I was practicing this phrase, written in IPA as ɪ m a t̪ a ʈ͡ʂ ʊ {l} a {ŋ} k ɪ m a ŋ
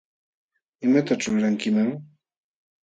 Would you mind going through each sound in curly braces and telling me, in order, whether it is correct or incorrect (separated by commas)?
incorrect, correct